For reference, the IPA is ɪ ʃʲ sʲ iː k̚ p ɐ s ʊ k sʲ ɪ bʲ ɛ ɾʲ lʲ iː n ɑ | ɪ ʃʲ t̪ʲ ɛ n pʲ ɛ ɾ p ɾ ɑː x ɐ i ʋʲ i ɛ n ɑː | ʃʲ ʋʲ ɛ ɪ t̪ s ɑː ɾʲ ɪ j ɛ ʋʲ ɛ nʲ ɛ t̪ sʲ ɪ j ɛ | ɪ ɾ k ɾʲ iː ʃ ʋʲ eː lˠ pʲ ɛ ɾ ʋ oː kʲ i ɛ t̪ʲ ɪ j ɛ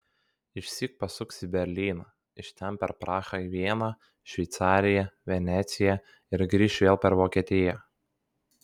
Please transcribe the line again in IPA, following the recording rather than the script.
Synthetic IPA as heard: ɪ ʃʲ sʲ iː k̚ p ɐ s ʊ k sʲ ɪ bʲ ɛ ɾʲ lʲ iː n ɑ | ɪ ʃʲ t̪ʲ ɛ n pʲ ɛ ɾ p ɾ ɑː x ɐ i ʋʲ i ɛ n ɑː | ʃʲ ʋʲ ɛ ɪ t̪ s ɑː ɾʲ ɪ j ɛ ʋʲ ɛ nʲ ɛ t̪ sʲ ɪ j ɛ | ɪ ɾ ɡ ɾʲ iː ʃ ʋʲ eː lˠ pʲ ɛ ɾ ʋ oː kʲ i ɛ t̪ʲ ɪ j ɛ

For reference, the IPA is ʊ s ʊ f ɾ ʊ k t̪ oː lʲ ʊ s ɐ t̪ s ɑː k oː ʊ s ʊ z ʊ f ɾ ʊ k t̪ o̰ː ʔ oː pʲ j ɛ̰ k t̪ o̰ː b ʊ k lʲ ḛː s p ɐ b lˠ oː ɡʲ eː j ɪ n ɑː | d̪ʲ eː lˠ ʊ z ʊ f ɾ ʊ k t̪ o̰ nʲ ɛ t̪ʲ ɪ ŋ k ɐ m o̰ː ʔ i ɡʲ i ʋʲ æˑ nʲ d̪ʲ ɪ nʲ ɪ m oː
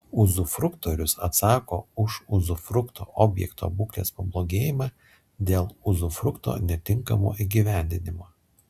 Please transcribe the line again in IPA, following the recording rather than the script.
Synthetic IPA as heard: ʊ z ʊ f ɾ ʊ k t̪ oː ɾʲ ʊ s ɐ t̪ s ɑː k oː ʊ ʃ ʊ z ʊ f ɾ ʊ k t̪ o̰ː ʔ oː bʲ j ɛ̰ k t̪ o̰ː b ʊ k lʲ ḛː s p ɐ b lˠ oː ɡʲ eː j ɪ m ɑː | d̪ʲ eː lˠ ʊ z ʊ f ɾ ʊ k t̪ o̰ nʲ ɛ t̪ʲ ɪ ŋ k ɐ m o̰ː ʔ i ɡʲ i ʋʲ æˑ nʲ d̪ʲ ɪ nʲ ɪ m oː

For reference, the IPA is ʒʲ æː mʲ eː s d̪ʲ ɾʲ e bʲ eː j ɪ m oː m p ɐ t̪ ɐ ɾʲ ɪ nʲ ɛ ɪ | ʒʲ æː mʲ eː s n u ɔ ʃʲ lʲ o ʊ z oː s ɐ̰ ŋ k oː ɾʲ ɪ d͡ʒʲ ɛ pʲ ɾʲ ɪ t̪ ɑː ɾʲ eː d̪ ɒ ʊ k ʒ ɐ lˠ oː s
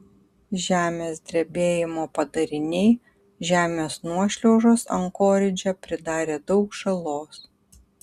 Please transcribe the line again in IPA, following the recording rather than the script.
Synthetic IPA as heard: ʒʲ æː mʲ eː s d̪ʲ ɾʲ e bʲ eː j ɪ m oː p ɐ d̪ ɐ ɾʲ ɪ nʲ ɛ ɪ | ʒʲ æː mʲ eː s n u ɔ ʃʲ lʲ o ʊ ʒ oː s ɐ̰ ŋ k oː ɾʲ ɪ d͡ʒʲ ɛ pʲ ɾʲ ɪ d̪ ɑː ɾʲ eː d̪ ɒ ʊ k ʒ ɐ lˠ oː s

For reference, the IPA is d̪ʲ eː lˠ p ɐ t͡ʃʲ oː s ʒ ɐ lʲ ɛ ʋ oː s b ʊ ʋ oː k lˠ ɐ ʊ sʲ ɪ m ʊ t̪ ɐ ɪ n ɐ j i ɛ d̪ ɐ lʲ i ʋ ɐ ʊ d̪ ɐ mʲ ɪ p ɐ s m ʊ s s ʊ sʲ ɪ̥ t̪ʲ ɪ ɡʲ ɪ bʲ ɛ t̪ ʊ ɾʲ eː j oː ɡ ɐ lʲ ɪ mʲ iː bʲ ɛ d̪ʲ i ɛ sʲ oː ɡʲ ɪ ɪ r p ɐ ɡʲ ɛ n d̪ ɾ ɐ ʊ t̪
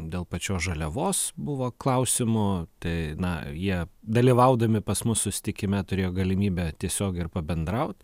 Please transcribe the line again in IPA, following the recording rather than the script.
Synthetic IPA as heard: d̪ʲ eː lˠ p ɐ t͡ʃʲ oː s ʒ ɐ lʲ ɛ ʋ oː s b ʊ ʋ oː k lˠ ɐ ʊ sʲ ɪ m ʊ t̪ ɐ ɪ n ɐ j i ɛ d̪ ɐ lʲ i ʋ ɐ ʊ d̪ ɐ mʲ ɪ p ɐ s m ʊ s s ʊ sʲ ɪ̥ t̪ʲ ɪ kʲ ɪ mʲ ɛ t̪ ʊ ɾʲ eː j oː ɡ ɐ lʲ ɪ mʲ iː bʲ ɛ t̪ʲ i ɛ sʲ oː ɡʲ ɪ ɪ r p ɐ bʲ ɛ n d̪ ɾ ɐ ʊ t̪

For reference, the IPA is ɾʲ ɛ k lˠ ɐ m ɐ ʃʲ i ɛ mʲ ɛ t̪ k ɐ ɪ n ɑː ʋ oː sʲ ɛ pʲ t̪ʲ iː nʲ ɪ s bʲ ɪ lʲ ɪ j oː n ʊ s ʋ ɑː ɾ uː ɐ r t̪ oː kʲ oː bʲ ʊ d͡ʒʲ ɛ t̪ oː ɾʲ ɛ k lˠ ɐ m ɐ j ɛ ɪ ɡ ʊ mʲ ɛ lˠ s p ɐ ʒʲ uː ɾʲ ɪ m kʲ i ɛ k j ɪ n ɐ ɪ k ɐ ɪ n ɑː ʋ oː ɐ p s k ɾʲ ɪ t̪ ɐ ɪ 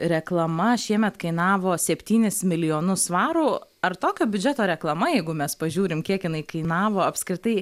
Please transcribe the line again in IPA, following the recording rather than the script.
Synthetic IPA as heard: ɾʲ ɛ k lˠ ɐ m ɐ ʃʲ i ɛ mʲ ɛ t̪ k ɐ ɪ n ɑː ʋ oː sʲ ɛ pʲ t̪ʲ iː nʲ ɪ s mʲ ɪ lʲ ɪ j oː n ʊ s ʋ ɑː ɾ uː ɐ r t̪ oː kʲ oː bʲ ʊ d͡ʒʲ ɛ t̪ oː ɾʲ ɛ k lˠ ɐ m ɐ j ɛ ɪ ɡ ʊ mʲ ɛ s p ɐ ʒʲ uː ɾʲ ɪ m kʲ i ɛ k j ɪ n ɐ ɪ k ɐ ɪ n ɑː ʋ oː ɐ p s k ɾʲ ɪ t̪ ɐ ɪ

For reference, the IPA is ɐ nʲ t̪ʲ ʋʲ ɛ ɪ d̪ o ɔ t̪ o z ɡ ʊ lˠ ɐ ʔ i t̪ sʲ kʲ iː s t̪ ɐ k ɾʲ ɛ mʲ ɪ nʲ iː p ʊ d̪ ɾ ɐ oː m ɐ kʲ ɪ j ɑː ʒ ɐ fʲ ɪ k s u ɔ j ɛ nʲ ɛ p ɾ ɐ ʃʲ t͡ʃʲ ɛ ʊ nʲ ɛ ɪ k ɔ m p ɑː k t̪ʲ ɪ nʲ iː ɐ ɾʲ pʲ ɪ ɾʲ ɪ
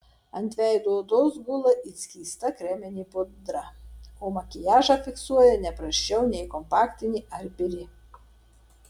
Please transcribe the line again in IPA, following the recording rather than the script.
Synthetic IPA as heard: ɐ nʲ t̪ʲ ʋʲ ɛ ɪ d̪ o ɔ d̪ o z ɡ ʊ lˠ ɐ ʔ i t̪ sʲ kʲ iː s t̪ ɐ k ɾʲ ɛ mʲ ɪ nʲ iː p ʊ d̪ ɾ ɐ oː m ɐ kʲ ɪ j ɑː ʒ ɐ fʲ ɪ k s u ɔ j ɛ nʲ ɛ p ɾ ɐ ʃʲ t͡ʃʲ ɛ ʊ nʲ ɛ ɪ k ɔ m p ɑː k t̪ʲ ɪ nʲ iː ɐ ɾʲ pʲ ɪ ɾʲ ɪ

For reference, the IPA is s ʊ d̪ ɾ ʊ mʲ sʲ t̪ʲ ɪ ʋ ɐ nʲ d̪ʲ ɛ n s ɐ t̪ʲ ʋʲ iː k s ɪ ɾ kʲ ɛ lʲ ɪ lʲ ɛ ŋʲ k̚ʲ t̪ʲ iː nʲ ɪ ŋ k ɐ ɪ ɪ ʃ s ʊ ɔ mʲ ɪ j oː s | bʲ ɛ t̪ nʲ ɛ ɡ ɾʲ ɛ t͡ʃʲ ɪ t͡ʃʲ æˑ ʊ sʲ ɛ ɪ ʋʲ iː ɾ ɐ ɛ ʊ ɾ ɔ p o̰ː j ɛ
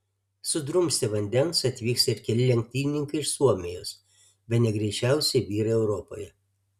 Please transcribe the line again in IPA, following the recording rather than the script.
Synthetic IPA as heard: s ʊ d̪ ɾ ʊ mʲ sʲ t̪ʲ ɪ ʋ ɐ nʲ d̪ʲ ɛ n s ɐ t̪ʲ ʋʲ iː k s ɪ ɾ kʲ ɛ lʲ ɪ lʲ ɛ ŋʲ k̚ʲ t̪ʲ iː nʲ ɪ ŋ k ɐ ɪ ɪ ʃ s u ɔ mʲ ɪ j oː s | bʲ ɛ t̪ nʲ ɛ ɡ ɾʲ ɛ ɪ t͡ʃʲ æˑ ʊ sʲ ɛ ɪ ʋʲ iː ɾ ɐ ɛ ʊ ɾ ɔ p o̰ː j ɛ

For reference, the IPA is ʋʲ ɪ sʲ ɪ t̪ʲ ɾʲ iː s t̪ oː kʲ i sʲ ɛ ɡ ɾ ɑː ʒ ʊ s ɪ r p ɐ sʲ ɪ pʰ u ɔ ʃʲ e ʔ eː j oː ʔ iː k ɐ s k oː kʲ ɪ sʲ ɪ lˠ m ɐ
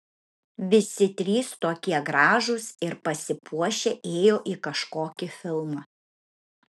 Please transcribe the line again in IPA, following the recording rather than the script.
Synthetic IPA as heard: ʋʲ ɪ sʲ ɪ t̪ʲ ɾʲ iː s t̪ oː kʲ i ɛ ɡ ɾ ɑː ʒ ʊ s ɪ ɾ p ɐ sʲ ɪ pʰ u ɔ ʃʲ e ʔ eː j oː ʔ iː k ɐ ʃ k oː kʲ ɪ fʲ ɪ lˠ m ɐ

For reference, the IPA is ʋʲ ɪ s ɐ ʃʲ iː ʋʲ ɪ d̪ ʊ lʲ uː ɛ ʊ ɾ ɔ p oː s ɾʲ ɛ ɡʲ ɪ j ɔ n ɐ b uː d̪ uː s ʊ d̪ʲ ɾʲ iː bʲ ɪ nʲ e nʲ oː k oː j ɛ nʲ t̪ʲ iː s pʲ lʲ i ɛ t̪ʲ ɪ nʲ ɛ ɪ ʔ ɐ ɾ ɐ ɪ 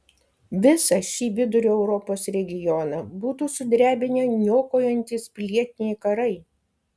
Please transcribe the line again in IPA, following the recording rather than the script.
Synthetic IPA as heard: ʋʲ ɪ s ɐ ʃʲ iː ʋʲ ɪ d̪ ʊ ɾʲ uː ɛ ʊ ɾ ɔ p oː s ɾʲ ɛ ɡʲ ɪ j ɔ n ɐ b uː t̪ uː s ʊ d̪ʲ ɾʲ æː bʲ ɪ nʲ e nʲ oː k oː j ɛ nʲ t̪ʲ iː s pʲ lʲ i ɛ t̪ʲ ɪ nʲ ɛ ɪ k ɐ ɾ ɐ ɪ

